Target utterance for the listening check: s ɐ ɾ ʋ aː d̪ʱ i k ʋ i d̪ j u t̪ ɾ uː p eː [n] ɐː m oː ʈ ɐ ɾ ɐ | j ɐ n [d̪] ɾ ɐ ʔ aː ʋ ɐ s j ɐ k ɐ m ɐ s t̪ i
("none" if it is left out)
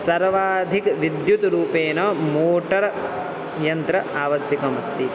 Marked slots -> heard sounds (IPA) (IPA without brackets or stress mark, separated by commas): n, t̪